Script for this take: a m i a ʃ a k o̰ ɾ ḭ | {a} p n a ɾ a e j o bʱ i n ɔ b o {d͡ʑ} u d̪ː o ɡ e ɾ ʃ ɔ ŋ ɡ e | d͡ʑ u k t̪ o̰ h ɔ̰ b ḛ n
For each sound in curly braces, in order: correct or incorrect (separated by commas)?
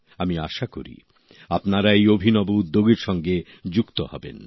correct, incorrect